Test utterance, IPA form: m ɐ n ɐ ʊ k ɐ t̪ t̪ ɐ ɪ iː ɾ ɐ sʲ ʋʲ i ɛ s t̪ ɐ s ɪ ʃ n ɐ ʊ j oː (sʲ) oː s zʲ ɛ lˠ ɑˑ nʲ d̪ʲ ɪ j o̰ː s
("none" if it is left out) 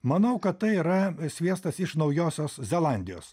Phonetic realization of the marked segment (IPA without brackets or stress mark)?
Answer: sʲ